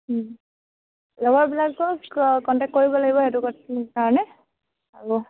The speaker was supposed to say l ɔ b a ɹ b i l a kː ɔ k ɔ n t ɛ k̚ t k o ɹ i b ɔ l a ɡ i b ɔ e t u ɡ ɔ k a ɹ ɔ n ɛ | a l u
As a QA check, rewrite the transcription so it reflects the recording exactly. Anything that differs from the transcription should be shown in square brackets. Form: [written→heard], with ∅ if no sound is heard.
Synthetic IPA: l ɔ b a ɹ b i l a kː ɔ k ɔ n t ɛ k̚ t k o ɹ i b ɔ l a ɡ i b ɔ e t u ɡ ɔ k a ɹ ɔ n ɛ | a [l→ɹ] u

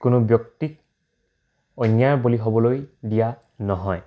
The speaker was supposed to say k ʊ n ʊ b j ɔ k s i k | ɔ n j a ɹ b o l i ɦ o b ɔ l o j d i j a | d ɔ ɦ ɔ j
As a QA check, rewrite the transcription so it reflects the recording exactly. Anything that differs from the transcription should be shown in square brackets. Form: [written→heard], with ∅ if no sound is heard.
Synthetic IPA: k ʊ n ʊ b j ɔ k [s→t] i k | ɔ n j a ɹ b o l i ɦ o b ɔ l o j d i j a | [d→n] ɔ ɦ ɔ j

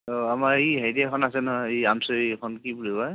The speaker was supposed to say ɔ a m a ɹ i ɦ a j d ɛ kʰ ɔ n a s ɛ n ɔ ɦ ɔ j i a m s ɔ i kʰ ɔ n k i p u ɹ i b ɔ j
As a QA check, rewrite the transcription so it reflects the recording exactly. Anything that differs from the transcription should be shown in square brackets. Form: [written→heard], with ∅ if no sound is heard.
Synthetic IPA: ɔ a m a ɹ i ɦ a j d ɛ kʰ ɔ n a s ɛ n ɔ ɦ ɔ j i a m s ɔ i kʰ ɔ n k i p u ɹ i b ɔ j

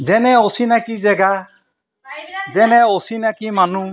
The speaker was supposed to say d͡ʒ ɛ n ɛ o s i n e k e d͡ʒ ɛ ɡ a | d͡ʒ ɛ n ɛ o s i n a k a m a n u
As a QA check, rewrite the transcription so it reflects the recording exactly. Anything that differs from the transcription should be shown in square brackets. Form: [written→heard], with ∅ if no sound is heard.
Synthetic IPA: d͡ʒ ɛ n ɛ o s i n [e→a] k [e→i] d͡ʒ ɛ ɡ a | d͡ʒ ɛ n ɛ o s i n a k [a→i] m a n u

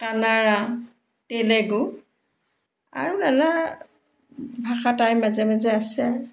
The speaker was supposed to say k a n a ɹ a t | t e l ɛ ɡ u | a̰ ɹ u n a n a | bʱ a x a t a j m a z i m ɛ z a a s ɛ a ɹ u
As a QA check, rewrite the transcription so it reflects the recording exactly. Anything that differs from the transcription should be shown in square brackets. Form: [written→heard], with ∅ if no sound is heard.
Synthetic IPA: k a n a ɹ a [t→∅] | t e l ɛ ɡ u | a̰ ɹ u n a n a | bʱ a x a t a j m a z [i→ɛ] m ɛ z [a→ɛ] a s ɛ a ɹ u

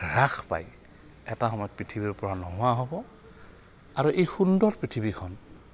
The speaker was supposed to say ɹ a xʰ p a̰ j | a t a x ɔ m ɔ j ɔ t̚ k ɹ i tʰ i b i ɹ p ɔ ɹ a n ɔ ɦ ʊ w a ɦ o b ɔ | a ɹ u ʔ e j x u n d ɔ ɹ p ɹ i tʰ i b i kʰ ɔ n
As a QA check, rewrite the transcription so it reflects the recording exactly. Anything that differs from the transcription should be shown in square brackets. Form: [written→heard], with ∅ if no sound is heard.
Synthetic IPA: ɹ a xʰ p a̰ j | [a→ɛ] t a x ɔ m ɔ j ɔ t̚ [k→p] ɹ i tʰ i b i ɹ p ɔ ɹ a n ɔ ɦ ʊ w a ɦ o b ɔ | a ɹ u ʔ e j x u n d ɔ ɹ p ɹ i tʰ i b i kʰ ɔ n

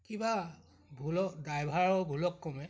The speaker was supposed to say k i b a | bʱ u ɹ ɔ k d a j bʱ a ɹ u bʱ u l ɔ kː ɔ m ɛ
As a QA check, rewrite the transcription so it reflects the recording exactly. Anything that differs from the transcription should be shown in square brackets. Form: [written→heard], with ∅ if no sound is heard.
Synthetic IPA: k i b a | bʱ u [ɹ→l] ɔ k d a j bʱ a ɹ [u→ɔ] bʱ u l ɔ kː ɔ m ɛ

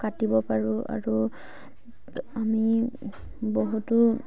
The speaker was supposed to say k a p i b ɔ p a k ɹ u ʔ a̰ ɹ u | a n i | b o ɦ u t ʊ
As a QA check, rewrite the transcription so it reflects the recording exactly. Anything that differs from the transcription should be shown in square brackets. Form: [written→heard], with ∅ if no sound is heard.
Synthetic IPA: k a [p→t] i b ɔ p a [k→∅] ɹ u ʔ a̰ ɹ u | a [n→m] i | b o ɦ u t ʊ

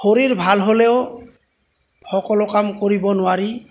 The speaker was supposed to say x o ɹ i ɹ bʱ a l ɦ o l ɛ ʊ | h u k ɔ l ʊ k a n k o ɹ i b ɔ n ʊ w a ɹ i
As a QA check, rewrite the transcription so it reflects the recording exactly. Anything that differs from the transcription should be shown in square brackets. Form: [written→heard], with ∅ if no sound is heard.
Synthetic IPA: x o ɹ i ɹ bʱ a l ɦ o l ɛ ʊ | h [u→ɔ] k ɔ l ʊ k a [n→m] k o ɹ i b ɔ n ʊ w a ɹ i

